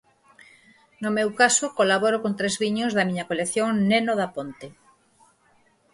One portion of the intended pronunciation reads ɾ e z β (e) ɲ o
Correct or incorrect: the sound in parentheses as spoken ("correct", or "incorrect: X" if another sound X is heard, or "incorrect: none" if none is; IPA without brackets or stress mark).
incorrect: i